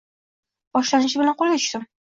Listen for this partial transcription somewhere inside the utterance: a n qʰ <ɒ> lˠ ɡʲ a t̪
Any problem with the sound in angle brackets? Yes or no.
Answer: yes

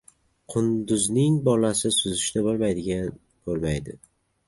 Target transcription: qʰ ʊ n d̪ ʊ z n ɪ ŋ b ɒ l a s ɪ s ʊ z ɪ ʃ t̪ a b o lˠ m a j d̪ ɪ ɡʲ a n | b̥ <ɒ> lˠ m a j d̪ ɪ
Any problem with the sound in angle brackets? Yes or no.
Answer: yes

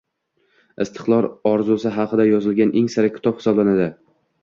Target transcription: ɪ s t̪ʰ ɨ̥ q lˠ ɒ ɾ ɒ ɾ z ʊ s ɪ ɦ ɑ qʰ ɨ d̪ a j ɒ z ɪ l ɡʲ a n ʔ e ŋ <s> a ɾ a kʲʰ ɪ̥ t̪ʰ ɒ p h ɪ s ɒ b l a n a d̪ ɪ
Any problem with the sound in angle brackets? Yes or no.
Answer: no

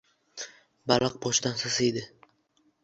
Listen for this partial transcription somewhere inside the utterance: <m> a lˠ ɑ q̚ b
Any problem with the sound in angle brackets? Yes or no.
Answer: yes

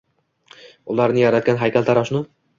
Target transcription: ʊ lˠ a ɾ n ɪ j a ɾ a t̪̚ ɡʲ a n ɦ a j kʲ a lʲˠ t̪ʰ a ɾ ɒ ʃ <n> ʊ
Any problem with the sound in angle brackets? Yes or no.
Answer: no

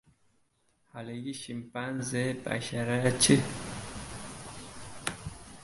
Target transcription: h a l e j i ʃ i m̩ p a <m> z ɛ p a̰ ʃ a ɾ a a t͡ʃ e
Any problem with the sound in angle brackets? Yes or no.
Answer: yes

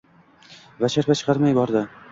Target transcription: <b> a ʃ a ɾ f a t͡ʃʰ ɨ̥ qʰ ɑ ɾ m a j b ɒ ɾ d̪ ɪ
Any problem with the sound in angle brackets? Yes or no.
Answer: yes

